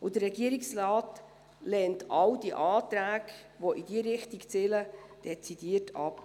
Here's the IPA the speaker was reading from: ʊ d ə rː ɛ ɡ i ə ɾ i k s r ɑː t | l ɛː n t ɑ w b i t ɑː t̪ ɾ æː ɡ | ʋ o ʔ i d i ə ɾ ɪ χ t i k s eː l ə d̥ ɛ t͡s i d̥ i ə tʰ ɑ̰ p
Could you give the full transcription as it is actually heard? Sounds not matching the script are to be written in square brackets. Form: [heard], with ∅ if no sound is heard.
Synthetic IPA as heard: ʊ d ə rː ɛ ɡ i ə ɾ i k s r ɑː t | l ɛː n t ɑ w [d] i [ʔ] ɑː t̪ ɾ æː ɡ | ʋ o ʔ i d i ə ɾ ɪ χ t i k [t͡s] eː l ə d̥ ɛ t͡s i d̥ i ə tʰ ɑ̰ p

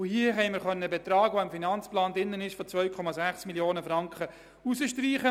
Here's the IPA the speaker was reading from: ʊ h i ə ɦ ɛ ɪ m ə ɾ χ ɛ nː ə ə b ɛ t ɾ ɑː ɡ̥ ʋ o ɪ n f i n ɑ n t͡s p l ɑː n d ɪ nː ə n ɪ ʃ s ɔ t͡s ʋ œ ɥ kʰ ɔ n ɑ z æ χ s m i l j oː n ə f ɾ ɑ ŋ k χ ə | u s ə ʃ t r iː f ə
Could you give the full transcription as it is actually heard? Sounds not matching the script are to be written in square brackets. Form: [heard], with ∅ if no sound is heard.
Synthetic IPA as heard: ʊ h i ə ɦ ɛ ɪ m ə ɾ χ [œ] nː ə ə b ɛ t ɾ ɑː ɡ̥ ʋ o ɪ [m] f i n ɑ n t͡s p l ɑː n d ɪ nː ə n ɪ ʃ [f] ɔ t͡s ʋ œ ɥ kʰ ɔ [m] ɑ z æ χ s m i l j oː n ə f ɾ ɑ ŋ k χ ə | u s ə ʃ t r iː [χ] ə

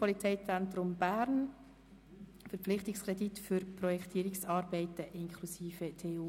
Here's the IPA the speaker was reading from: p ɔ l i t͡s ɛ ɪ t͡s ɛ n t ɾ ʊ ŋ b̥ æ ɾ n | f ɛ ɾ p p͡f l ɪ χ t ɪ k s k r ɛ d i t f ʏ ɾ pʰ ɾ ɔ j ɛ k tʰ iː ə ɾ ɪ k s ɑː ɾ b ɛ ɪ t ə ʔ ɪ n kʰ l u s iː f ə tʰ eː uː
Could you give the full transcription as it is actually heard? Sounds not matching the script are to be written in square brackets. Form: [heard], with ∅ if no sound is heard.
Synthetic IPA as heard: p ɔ l i t͡s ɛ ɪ t͡s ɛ n t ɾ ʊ [m] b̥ æ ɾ n | f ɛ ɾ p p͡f l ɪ χ t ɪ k s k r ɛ d i t f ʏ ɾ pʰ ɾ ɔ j ɛ k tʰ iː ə ɾ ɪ k s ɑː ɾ b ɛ ɪ t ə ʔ ɪ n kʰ l u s iː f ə tʰ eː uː

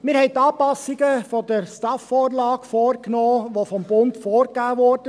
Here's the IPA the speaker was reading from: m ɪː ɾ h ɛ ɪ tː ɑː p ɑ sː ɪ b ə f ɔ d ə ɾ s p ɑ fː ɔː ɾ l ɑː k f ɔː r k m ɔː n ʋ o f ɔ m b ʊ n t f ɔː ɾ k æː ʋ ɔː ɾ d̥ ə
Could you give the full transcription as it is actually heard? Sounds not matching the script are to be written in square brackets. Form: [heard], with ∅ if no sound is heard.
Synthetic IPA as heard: m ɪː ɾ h ɛ ɪ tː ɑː p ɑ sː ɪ [ɡ] ə f ɔ d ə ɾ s [t] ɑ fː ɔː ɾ l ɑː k f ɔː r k [n] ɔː [∅] ʋ o f ɔ m b ʊ n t f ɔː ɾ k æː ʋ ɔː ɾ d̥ ə

